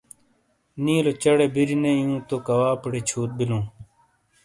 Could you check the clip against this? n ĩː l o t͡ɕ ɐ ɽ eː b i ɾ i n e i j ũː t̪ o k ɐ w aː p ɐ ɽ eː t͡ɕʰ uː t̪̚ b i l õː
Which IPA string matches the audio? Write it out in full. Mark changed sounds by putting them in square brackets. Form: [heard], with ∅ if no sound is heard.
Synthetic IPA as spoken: n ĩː l o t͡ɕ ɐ ɽ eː b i ɾ i n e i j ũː t̪ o k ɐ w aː p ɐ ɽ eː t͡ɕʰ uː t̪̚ b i l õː